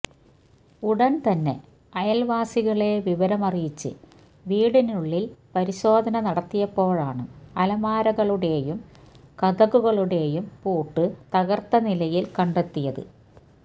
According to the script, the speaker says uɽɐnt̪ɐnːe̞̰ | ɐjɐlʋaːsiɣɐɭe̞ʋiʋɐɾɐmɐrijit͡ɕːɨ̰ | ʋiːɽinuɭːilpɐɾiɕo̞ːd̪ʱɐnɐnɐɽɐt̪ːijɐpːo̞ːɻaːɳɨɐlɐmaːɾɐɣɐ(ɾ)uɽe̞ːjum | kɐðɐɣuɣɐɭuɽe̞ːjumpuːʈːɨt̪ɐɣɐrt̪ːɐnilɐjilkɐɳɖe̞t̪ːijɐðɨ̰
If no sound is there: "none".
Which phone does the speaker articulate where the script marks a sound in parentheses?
ɭ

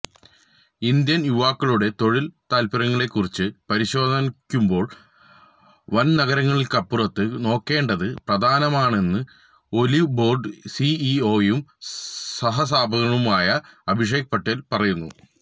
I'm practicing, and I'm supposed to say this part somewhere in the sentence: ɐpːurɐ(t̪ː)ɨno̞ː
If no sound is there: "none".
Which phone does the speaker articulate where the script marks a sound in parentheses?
t̪ː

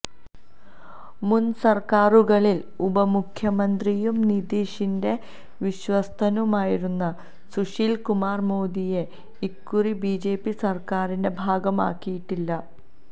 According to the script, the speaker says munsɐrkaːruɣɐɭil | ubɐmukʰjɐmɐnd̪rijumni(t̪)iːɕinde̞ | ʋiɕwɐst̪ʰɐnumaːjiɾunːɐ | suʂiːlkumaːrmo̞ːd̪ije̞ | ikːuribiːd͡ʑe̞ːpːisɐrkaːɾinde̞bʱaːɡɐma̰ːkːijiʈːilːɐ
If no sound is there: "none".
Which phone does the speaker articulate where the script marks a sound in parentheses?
d̪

